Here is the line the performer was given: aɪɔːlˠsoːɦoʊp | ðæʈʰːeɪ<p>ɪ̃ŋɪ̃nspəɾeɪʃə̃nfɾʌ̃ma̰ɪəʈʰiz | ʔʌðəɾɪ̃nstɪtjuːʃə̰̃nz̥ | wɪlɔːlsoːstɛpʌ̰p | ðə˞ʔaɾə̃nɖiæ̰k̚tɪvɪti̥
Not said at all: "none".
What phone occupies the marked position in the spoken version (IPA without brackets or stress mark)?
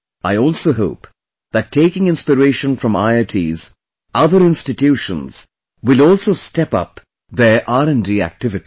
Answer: k